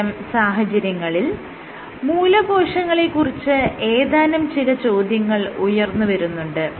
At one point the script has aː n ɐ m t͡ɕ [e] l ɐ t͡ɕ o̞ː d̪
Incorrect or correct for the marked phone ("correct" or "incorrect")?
incorrect